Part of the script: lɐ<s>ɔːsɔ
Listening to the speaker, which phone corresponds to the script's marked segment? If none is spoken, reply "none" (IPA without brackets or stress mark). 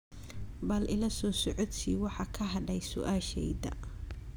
s